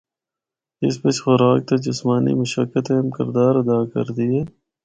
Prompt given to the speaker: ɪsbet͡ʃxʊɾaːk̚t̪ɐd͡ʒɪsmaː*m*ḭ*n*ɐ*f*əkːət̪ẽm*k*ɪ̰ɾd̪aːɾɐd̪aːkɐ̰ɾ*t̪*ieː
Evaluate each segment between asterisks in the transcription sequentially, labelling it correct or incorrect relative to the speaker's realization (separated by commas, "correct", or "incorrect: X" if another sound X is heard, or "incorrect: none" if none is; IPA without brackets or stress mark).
incorrect: n, incorrect: m, incorrect: ʃ, correct, incorrect: d̪